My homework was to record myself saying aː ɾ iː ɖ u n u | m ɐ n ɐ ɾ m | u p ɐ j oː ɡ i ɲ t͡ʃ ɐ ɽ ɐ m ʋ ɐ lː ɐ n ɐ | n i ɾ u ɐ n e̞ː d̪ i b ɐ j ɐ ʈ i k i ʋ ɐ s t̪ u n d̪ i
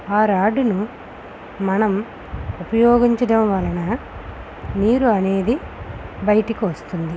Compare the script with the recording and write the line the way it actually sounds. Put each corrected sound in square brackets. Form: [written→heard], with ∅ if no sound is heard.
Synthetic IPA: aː ɾ [iː→aː] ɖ u n u | m ɐ n ɐ [ɾ→∅] m | u p ɐ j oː ɡ i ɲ t͡ʃ ɐ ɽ ɐ m ʋ ɐ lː ɐ n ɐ | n [i→iː] ɾ u ɐ n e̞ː d̪ i b ɐ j ɐ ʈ i k i ʋ ɐ s t̪ u n d̪ i